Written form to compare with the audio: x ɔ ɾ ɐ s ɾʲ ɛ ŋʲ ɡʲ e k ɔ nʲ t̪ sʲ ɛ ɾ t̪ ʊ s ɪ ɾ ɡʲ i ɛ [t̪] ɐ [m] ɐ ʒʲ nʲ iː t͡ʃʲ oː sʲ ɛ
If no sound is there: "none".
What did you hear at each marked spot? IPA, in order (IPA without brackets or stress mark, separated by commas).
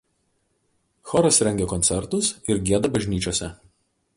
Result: d̪, b